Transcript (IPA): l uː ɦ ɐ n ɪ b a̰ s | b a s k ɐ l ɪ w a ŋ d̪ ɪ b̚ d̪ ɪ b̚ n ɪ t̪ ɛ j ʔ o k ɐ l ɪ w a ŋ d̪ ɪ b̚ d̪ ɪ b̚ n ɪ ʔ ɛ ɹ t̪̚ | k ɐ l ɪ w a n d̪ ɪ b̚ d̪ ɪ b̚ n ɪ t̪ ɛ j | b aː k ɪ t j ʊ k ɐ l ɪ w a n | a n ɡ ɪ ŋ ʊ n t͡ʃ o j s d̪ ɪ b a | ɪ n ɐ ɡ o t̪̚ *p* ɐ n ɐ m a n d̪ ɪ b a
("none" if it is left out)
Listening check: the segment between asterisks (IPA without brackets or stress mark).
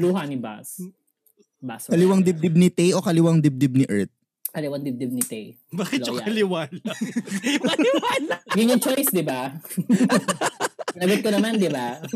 k